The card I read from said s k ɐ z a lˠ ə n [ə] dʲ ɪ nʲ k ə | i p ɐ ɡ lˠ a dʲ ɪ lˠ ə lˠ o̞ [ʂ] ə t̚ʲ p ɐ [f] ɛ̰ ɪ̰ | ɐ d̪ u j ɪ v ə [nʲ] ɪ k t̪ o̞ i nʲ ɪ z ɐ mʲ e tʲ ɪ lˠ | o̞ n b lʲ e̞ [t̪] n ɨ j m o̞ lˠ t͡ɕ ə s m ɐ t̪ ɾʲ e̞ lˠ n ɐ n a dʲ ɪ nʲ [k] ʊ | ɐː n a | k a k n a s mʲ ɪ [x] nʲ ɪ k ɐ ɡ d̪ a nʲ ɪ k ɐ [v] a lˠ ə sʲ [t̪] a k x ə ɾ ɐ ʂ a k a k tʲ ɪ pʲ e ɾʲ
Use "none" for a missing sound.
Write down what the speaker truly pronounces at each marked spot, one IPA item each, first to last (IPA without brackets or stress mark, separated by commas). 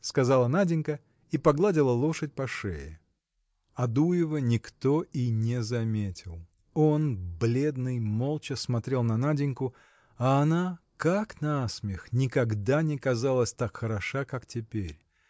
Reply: a, ʂ, ʂ, nʲ, d̪, k, x, z, t̪